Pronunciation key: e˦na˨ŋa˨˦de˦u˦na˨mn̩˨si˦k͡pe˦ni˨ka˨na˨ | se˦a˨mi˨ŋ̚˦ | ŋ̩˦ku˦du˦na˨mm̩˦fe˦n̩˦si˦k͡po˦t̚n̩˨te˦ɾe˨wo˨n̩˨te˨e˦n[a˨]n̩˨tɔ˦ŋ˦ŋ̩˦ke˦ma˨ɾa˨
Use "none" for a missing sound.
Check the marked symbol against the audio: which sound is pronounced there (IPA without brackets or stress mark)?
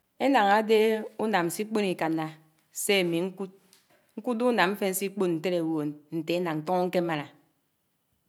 a˨